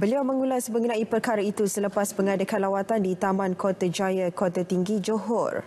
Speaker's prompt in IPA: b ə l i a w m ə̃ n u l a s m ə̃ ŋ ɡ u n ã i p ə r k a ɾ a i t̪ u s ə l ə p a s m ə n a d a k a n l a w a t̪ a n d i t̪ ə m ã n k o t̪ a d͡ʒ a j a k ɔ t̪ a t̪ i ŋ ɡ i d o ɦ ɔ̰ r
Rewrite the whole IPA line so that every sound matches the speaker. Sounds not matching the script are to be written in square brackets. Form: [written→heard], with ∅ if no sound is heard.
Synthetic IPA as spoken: b ə l i a w m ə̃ [n→ŋ] u l a s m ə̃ ŋ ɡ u n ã i p ə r k a ɾ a i t̪ u s ə l ə p a s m ə [n→ŋ] a d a k a n l a w a t̪ a n d i t̪ [ə→a] m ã n k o t̪ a d͡ʒ a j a k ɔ t̪ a t̪ i ŋ ɡ i [d→d͡ʒ] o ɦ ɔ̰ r

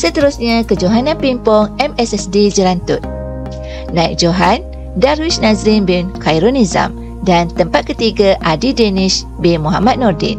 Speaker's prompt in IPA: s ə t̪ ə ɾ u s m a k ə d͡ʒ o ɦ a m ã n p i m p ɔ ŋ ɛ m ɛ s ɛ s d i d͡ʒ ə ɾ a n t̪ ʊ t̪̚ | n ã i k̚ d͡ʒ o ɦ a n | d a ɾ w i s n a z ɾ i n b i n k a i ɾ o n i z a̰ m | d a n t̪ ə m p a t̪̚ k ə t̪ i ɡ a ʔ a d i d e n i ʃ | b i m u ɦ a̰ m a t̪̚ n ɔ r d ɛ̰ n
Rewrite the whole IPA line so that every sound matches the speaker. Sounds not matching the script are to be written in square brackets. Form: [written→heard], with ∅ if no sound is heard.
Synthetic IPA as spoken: s ə t̪ ə ɾ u s [m→ɲ] a k ə d͡ʒ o ɦ a [m→n] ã n p i m p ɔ ŋ ɛ m ɛ s ɛ s d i d͡ʒ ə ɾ a n t̪ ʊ t̪̚ | n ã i k̚ d͡ʒ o ɦ a n | d a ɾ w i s n a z ɾ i n b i n k a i ɾ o n i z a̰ m | d a n t̪ ə m p a t̪̚ k ə t̪ i ɡ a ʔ a d i d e n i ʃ | b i m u ɦ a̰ m a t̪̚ n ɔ r d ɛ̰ n

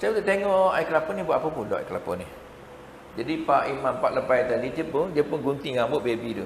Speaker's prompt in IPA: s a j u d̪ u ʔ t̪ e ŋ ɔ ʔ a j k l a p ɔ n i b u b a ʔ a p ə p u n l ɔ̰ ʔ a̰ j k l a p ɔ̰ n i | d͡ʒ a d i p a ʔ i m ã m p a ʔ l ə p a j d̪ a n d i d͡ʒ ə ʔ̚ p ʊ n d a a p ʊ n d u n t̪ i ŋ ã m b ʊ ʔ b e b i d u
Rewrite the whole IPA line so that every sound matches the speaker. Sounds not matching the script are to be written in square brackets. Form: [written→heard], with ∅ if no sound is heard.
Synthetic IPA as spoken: s a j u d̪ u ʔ t̪ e ŋ ɔ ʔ a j k l a p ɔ n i b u [b→∅] a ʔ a p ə p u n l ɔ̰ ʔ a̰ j k l a p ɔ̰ n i | d͡ʒ a d i p a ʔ i m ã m p a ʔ l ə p a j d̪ a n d i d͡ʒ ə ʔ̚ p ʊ n d [a→i] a p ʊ n [d→ɡ] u n t̪ i ŋ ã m b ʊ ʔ b e b i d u

